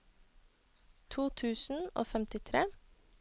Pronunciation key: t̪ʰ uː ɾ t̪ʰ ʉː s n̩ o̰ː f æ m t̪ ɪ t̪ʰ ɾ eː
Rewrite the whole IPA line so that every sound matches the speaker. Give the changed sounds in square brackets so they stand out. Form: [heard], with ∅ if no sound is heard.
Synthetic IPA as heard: t̪ʰ uː [∅] t̪ʰ ʉː s n̩ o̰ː f [ɛ] m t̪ ɪ t̪ʰ ɾ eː